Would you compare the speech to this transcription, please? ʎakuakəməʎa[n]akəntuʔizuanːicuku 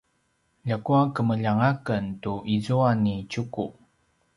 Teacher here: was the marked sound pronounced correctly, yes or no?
no